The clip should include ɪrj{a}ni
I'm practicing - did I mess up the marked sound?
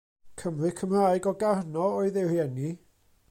yes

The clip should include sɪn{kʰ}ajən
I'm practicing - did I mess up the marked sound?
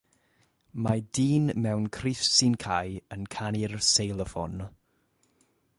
no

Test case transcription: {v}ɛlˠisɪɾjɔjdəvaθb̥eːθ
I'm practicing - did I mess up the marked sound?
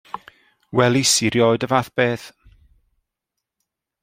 yes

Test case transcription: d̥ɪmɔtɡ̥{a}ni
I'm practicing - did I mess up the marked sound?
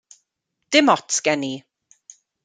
yes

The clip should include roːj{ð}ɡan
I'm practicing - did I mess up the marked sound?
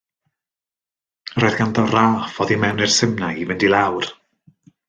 no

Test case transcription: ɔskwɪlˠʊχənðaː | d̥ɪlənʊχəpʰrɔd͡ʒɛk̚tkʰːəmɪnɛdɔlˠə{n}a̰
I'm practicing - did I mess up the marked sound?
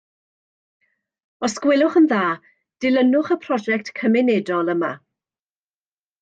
yes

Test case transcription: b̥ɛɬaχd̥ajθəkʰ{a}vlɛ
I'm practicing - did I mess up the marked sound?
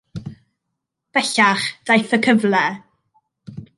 yes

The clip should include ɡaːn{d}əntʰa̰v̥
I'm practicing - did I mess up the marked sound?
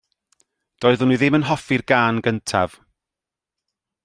yes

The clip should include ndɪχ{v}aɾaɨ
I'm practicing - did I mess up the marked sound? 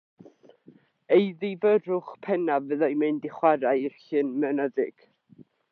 yes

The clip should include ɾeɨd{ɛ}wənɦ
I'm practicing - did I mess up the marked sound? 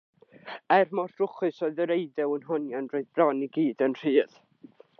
no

